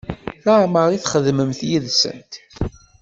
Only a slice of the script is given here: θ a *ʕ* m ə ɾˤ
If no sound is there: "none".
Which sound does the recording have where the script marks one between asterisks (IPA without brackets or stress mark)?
ʕ